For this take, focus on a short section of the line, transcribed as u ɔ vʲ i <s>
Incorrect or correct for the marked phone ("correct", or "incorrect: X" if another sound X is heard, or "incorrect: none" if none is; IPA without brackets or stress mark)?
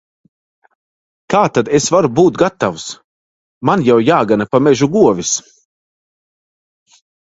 correct